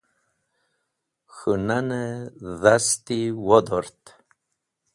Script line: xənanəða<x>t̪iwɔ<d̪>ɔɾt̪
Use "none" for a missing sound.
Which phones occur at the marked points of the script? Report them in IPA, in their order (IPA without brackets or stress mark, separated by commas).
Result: s, d̪